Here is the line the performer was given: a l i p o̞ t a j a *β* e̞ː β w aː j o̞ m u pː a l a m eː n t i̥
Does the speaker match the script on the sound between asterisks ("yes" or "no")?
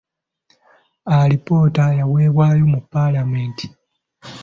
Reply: no